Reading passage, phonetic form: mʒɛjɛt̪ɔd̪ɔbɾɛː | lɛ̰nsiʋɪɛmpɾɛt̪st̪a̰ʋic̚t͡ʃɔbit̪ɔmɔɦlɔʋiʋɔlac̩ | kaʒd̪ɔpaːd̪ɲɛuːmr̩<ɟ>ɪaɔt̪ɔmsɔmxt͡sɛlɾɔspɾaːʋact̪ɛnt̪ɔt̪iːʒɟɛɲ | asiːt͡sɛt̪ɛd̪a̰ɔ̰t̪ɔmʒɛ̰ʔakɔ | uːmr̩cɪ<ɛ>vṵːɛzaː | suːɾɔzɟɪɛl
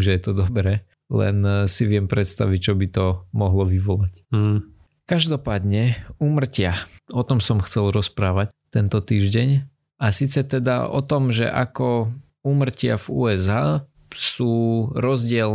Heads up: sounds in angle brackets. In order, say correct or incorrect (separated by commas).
incorrect, incorrect